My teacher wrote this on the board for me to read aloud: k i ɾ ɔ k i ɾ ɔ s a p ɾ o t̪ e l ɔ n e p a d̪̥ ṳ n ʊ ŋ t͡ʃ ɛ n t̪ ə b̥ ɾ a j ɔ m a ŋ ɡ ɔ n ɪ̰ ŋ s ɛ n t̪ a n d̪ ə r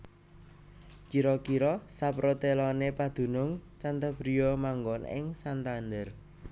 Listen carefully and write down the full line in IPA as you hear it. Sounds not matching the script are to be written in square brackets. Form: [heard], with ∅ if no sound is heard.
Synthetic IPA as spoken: k i ɾ ɔ k i ɾ ɔ s a p ɾ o t̪ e l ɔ n e p a d̪̥ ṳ n ʊ ŋ t͡ʃ [a] n t̪ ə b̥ ɾ [i] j ɔ m a ŋ ɡ ɔ n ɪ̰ ŋ s [a] n t̪ a n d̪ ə r